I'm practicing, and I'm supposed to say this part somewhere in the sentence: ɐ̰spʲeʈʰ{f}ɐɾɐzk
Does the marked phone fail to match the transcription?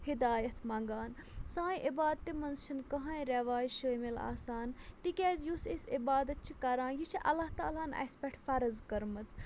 no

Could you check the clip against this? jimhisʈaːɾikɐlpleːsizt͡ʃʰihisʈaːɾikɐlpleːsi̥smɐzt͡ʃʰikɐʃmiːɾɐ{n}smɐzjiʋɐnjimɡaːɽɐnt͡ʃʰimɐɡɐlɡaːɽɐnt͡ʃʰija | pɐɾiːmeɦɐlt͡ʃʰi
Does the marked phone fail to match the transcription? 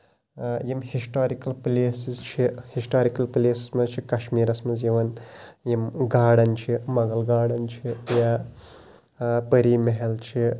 yes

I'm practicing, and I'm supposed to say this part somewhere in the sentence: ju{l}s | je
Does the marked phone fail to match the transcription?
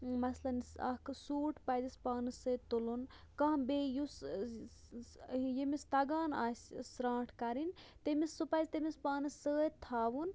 yes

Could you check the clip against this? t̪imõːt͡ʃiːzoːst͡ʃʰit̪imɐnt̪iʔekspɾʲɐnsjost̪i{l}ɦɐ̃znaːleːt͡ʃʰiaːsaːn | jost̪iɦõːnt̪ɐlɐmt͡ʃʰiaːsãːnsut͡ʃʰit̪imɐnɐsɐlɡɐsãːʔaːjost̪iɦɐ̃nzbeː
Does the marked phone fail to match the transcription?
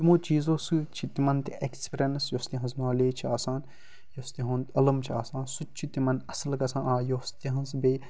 yes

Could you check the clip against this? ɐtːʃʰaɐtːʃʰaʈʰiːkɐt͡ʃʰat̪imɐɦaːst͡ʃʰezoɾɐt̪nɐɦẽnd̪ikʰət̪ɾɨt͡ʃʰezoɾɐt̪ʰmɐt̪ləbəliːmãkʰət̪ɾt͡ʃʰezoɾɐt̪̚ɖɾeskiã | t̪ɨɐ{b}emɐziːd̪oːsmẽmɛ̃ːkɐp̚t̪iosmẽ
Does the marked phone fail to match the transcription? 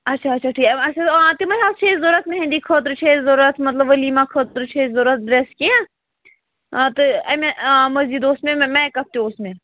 yes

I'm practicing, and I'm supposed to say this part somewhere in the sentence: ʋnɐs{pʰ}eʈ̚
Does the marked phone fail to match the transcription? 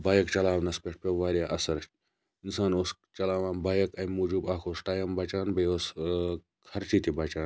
yes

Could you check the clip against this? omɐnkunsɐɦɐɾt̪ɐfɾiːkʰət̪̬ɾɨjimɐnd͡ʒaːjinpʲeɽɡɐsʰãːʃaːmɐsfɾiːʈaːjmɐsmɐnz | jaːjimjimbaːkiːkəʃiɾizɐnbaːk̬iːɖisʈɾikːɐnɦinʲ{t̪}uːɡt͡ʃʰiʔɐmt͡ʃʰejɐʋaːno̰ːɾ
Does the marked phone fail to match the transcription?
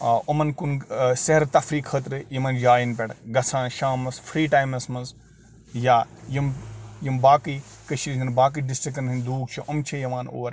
yes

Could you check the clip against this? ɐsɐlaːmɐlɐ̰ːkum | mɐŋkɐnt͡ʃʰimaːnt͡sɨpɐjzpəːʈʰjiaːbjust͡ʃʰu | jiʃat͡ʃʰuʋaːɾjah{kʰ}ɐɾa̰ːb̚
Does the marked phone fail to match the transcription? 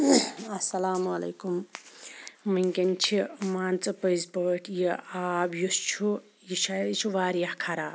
no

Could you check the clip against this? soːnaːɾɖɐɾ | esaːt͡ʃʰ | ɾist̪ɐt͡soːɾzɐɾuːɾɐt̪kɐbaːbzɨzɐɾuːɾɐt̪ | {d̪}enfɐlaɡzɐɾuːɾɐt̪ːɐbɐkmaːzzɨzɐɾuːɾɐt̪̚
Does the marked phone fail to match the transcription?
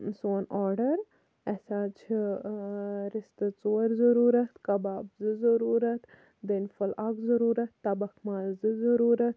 no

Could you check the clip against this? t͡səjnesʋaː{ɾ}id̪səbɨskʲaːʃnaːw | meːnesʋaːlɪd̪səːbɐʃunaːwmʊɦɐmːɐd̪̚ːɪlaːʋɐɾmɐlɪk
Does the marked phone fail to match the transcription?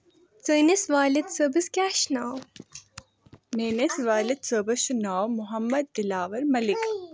yes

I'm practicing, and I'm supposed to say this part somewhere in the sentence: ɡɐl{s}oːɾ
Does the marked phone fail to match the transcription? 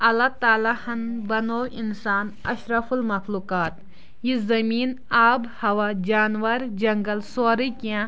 no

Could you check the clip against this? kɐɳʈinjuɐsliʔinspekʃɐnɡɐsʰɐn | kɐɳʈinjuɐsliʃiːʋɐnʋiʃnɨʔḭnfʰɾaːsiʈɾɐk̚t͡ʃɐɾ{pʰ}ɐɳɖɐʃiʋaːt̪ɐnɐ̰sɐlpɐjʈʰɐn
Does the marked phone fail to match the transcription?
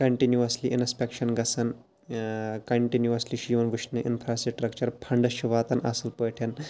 no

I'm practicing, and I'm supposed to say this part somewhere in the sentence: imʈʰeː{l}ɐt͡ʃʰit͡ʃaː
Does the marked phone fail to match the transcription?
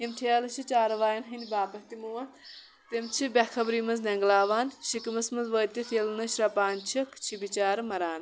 no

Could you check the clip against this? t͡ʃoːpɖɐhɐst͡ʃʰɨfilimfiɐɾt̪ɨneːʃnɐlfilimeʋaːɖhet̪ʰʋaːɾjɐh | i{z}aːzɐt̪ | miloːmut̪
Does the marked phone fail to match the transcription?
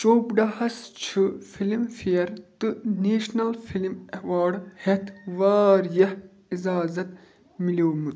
no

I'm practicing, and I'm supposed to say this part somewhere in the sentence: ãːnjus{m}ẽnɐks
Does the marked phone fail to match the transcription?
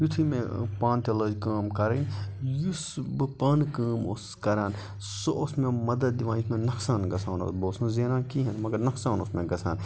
no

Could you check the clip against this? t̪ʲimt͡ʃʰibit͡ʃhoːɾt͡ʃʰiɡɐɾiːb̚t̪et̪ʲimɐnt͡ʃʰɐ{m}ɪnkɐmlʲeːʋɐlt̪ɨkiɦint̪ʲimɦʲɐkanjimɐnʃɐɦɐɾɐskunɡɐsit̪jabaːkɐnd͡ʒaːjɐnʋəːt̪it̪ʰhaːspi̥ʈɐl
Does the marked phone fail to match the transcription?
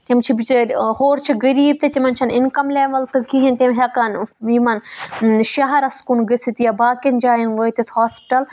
yes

